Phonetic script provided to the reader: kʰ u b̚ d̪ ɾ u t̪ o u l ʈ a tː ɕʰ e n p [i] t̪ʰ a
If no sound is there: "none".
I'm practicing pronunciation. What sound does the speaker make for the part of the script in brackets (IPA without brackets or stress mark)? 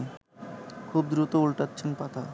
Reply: a